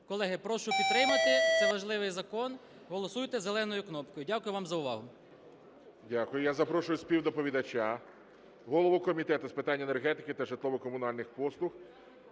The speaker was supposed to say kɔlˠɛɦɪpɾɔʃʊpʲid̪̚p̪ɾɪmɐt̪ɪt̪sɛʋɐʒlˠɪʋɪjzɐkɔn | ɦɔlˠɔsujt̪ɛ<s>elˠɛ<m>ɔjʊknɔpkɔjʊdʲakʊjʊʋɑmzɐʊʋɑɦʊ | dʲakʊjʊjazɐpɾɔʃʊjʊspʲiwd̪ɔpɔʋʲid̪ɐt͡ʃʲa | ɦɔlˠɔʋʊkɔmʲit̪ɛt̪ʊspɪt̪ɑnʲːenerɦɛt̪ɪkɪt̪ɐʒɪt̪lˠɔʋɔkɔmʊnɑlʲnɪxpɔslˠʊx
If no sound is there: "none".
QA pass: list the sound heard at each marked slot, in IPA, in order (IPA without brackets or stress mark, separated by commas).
z, n